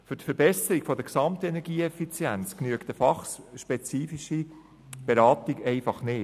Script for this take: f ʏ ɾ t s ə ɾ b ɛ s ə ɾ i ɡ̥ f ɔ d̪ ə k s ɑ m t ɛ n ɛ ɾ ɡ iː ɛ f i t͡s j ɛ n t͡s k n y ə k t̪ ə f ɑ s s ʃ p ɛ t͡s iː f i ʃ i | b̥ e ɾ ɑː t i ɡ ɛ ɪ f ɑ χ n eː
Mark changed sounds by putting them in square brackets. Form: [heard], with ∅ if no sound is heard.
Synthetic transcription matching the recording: f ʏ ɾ t [f] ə ɾ b ɛ s ə ɾ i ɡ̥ f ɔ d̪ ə k s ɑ m t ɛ n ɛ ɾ ɡ iː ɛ f i t͡s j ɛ n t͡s k n y ə k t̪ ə f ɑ [χ] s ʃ p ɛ t͡s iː f i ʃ i | b̥ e ɾ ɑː t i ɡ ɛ ɪ f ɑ χ n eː